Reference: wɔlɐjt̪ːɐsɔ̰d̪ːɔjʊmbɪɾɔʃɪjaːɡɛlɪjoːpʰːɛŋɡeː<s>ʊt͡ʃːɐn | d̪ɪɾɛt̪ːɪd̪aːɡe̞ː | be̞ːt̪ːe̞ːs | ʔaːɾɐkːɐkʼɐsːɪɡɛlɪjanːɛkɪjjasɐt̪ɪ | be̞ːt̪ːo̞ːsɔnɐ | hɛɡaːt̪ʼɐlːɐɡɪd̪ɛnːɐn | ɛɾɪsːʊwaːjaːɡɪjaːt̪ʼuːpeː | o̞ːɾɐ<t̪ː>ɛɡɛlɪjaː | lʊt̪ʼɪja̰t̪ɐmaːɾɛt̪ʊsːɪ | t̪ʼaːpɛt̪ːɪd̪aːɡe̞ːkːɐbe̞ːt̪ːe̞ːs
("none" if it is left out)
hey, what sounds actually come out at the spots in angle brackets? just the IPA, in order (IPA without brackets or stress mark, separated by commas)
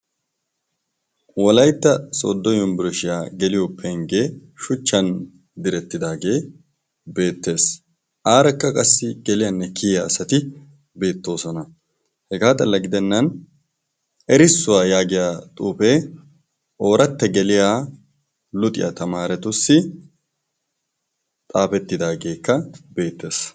ʃ, t̪ː